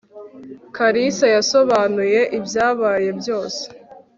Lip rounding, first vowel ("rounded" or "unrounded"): unrounded